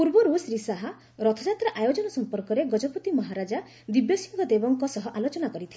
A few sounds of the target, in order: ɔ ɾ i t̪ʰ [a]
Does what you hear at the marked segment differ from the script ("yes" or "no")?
yes